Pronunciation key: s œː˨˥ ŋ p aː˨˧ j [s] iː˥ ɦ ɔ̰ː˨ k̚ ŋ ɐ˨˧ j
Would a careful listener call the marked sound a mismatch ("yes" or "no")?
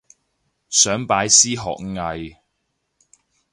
no